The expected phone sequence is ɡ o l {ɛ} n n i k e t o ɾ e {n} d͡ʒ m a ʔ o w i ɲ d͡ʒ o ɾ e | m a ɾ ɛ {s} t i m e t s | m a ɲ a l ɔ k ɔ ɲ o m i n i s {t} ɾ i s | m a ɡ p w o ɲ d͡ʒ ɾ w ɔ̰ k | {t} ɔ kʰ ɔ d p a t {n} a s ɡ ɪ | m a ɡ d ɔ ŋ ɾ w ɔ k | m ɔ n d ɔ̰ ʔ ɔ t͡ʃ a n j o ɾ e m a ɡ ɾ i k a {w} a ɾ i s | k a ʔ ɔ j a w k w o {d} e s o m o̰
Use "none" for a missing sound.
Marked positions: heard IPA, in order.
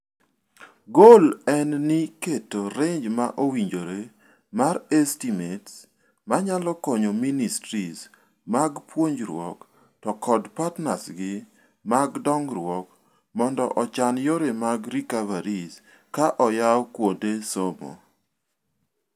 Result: ɛ, ɲ, s, t, t, n, v, d

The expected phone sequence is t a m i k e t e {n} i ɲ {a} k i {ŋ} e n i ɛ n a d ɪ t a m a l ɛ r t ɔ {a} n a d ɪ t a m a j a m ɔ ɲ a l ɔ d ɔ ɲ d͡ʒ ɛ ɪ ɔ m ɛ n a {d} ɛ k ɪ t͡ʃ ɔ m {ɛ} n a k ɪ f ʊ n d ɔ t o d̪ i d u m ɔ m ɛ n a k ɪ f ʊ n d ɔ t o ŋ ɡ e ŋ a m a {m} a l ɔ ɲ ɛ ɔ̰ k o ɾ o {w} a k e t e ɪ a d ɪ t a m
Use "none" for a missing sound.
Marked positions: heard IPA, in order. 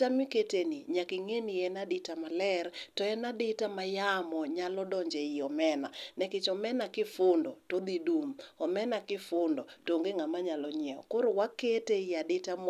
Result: n, a, ŋ, ɛ, n, ɛ, ɲ, w

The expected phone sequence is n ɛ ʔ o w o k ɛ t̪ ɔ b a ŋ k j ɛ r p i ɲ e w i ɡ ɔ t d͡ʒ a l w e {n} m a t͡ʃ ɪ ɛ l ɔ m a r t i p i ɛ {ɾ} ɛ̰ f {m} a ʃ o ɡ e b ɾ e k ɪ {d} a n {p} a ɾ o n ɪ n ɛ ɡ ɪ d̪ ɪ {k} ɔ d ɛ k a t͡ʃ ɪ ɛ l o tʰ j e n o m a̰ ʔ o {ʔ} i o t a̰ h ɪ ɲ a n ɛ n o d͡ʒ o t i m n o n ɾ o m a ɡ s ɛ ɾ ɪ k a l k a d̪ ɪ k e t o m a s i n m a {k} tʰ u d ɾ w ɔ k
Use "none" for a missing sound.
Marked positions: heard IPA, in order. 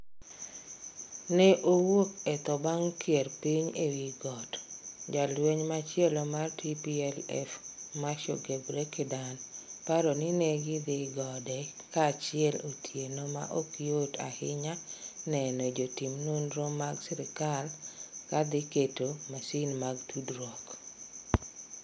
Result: ɲ, l, m, d, p, ɡ, k, ɡ

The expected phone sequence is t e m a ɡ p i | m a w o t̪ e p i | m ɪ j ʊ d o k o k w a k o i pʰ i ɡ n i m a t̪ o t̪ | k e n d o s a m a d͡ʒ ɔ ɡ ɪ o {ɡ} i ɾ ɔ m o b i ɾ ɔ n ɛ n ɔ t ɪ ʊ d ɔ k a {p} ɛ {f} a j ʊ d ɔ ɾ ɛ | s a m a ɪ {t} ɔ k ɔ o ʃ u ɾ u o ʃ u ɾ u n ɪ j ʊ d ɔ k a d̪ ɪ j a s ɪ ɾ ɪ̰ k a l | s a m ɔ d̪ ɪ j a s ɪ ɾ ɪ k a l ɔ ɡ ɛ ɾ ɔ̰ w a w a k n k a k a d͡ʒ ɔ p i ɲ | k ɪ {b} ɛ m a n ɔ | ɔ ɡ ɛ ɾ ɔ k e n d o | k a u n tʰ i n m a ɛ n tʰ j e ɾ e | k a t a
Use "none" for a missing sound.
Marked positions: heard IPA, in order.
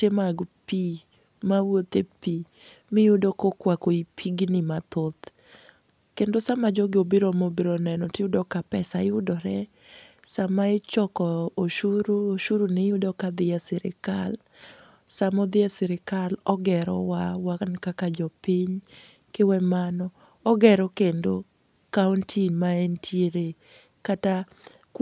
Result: b, p, s, t͡ʃ, w

